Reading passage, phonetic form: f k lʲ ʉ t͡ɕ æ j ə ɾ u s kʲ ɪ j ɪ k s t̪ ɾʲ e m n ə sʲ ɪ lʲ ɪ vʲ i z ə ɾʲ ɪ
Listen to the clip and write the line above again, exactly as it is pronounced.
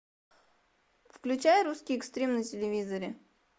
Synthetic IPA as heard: f k lʲ ʉ t͡ɕ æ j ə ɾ u s kʲ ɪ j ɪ k s t̪ ɾʲ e m n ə tʲ ɪ lʲ ɪ vʲ i z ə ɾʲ ɪ